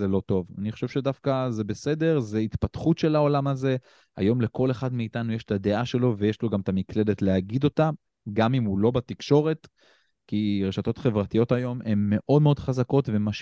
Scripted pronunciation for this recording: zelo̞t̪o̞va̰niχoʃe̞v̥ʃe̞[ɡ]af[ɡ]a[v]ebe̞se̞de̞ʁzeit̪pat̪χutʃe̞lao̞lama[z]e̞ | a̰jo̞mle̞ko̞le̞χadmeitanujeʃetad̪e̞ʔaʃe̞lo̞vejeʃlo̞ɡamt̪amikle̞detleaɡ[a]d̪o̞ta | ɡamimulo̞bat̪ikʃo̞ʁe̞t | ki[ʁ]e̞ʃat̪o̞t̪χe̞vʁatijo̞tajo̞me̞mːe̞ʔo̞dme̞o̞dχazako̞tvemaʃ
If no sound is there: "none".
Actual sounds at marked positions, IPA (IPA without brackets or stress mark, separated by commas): d, k, z, z, i, ʁ